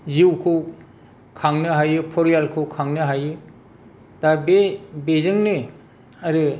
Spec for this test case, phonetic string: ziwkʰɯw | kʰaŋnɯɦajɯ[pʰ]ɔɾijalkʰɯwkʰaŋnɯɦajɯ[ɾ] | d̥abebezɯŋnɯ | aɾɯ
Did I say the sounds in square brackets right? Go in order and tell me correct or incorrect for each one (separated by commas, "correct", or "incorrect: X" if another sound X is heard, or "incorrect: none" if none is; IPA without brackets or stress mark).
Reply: correct, incorrect: none